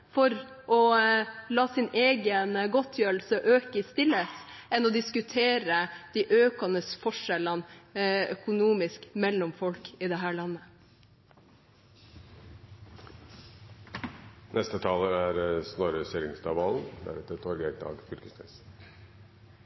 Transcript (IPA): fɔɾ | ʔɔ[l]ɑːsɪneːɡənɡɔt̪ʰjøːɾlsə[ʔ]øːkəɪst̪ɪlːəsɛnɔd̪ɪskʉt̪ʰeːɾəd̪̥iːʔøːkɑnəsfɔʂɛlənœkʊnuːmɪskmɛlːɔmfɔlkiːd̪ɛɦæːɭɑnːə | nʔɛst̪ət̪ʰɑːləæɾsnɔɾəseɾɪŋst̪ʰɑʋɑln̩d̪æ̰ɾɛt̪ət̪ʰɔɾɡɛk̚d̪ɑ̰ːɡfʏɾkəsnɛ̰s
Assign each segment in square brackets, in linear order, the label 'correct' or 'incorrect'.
correct, correct

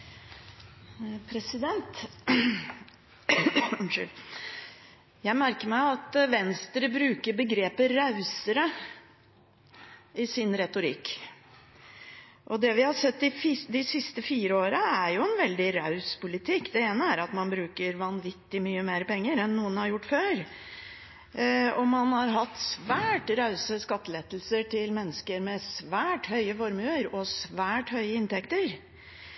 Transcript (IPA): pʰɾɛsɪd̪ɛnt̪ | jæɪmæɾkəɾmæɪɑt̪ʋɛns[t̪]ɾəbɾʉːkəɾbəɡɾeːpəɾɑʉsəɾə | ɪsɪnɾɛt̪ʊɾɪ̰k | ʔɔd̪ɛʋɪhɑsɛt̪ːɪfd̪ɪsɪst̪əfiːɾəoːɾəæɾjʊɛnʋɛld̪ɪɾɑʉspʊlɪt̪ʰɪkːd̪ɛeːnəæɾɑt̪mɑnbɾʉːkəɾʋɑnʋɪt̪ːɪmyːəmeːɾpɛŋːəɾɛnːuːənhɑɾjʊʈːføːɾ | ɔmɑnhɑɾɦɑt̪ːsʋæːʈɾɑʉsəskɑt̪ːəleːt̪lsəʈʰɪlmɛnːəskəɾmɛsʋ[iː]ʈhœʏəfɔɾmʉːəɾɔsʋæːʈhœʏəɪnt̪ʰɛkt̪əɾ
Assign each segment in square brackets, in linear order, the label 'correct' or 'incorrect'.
correct, incorrect: æː

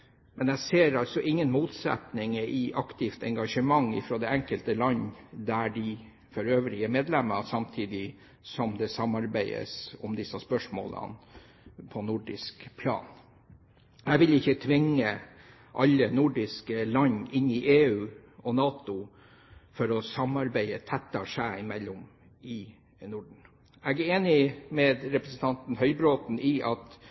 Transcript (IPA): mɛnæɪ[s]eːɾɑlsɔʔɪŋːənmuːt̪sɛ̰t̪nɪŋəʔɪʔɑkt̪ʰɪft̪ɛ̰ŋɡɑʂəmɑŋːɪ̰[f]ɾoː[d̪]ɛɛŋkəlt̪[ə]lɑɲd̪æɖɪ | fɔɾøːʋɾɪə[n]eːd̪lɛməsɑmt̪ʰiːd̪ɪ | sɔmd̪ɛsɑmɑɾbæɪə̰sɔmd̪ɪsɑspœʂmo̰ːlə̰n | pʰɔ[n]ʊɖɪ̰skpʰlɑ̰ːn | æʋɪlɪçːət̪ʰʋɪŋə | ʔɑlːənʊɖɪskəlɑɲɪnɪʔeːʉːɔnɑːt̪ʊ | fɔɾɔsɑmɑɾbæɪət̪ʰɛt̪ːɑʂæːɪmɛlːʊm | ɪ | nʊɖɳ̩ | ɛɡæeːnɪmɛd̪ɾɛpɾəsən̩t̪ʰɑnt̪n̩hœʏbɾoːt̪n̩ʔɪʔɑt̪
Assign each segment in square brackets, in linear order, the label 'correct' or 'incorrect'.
correct, correct, correct, correct, incorrect: m, correct

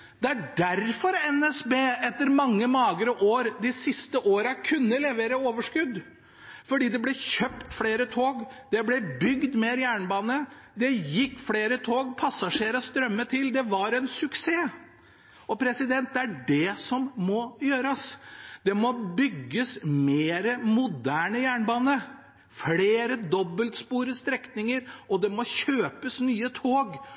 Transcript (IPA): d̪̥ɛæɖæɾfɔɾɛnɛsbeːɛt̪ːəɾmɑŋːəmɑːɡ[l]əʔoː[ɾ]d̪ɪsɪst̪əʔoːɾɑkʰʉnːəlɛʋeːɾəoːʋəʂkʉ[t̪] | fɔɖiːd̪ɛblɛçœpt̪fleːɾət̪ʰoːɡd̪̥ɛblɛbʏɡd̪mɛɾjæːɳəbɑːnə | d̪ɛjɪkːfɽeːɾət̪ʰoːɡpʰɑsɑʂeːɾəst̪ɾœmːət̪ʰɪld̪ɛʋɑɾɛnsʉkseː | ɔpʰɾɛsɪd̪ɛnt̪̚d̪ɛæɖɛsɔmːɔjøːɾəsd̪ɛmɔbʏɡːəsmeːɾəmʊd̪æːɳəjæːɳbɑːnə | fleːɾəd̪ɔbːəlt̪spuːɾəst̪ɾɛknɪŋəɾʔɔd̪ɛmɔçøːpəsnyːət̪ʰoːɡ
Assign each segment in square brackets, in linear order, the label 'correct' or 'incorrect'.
incorrect: ɾ, correct, incorrect: d̪

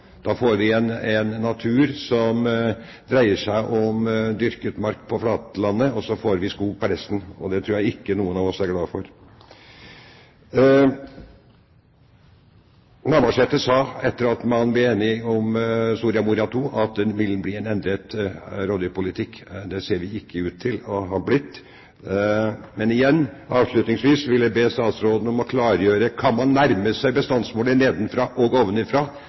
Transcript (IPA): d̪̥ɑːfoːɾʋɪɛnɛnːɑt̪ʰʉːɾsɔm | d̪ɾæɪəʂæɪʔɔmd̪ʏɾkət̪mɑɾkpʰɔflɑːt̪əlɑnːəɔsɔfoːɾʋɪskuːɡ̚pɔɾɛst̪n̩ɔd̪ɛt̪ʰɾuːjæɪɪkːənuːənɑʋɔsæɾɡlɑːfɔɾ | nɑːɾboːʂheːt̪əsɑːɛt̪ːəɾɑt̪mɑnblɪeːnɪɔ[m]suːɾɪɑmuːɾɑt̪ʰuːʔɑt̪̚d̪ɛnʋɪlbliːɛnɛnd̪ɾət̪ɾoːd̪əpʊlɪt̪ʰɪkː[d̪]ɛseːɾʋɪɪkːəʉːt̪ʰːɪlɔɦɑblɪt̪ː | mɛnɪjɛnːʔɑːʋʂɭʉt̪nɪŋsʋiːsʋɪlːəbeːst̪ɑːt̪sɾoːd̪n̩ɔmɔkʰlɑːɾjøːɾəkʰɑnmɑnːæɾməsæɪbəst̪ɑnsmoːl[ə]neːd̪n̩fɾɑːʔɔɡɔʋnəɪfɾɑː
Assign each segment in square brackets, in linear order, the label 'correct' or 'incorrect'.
correct, correct, correct

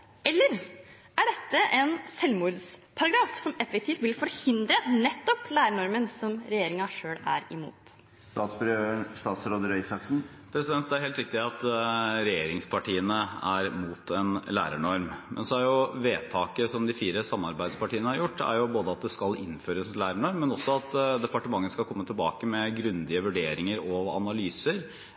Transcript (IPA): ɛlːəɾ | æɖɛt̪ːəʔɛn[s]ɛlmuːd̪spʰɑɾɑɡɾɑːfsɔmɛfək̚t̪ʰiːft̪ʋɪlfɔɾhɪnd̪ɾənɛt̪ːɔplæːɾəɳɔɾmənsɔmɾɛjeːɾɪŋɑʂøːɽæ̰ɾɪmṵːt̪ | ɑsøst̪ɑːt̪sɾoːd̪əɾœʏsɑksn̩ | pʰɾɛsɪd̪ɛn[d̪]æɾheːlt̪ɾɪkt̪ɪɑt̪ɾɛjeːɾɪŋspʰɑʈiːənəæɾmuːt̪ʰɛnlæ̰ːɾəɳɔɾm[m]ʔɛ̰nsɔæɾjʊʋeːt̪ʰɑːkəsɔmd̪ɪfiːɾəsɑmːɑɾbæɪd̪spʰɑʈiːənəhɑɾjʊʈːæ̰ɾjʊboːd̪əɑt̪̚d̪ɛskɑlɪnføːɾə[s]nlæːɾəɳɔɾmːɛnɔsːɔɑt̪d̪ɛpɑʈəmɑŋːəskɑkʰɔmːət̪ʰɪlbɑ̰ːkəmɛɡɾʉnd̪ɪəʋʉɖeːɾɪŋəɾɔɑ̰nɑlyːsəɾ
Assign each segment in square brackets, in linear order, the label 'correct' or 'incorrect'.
correct, incorrect: t̪, correct, correct

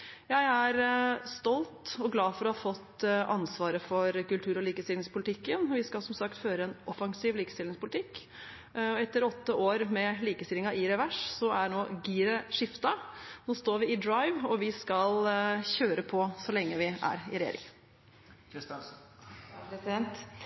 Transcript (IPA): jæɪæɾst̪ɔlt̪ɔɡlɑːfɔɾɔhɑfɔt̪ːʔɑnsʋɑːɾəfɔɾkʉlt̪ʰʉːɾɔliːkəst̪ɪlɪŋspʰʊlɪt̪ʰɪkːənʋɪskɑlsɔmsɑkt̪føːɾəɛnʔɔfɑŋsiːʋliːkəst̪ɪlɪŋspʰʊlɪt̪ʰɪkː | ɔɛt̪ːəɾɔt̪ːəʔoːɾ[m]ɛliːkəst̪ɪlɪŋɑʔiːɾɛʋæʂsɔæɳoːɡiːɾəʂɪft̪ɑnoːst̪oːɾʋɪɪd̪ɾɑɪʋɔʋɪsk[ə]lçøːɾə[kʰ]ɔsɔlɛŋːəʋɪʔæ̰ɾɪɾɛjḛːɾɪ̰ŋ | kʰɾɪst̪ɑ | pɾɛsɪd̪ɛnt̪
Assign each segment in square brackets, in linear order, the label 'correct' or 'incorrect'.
correct, incorrect: ɑ, incorrect: pʰ

